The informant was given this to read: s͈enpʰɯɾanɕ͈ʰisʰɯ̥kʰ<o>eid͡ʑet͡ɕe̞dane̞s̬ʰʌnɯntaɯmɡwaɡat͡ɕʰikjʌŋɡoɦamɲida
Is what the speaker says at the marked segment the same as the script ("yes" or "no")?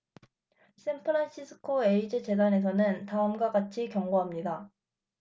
yes